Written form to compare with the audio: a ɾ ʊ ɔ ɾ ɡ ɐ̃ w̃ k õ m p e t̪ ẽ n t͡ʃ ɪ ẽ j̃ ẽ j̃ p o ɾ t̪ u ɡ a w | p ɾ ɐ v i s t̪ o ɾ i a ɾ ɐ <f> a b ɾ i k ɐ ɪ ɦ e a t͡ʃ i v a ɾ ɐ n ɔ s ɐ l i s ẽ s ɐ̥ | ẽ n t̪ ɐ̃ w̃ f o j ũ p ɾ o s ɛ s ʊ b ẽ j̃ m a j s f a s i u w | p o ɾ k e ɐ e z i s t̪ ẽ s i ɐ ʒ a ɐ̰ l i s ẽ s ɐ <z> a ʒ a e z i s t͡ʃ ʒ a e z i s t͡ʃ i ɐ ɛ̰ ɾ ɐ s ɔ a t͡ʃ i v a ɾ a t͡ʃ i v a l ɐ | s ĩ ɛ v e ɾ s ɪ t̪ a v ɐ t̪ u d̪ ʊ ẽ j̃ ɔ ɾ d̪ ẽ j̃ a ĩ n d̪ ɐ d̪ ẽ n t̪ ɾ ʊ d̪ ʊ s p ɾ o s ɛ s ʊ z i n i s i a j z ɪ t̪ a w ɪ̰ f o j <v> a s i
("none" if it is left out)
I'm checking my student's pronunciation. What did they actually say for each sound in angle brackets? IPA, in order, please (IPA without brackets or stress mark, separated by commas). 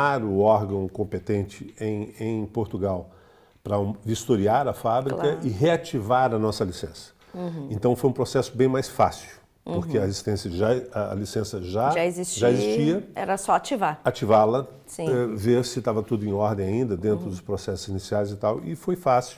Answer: f, ʒ, f